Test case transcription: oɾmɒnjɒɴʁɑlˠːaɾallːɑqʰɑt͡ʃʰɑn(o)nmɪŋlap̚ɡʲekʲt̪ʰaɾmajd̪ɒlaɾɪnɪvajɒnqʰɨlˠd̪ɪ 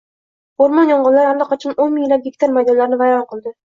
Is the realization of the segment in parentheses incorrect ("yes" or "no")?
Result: no